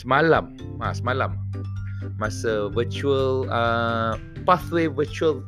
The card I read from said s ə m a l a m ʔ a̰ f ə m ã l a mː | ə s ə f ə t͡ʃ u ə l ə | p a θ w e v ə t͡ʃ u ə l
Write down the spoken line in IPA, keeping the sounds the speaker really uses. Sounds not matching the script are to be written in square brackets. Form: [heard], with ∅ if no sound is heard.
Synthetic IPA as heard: s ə m a l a m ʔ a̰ [s] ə m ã l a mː | [a] s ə [v] ə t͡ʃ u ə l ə | p a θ w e v ə t͡ʃ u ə l